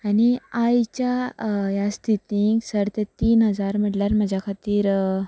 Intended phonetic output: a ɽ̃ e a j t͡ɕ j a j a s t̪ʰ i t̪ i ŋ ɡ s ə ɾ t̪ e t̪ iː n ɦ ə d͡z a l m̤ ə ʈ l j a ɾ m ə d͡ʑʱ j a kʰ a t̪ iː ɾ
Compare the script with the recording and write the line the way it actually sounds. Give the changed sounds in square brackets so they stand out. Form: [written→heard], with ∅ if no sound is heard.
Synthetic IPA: a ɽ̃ [e→i] a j t͡ɕ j a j a s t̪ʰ i t̪ i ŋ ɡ s ə ɾ t̪ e t̪ iː n ɦ ə d͡z a [l→ɾ] m̤ ə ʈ l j a ɾ m ə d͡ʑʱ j a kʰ a t̪ iː ɾ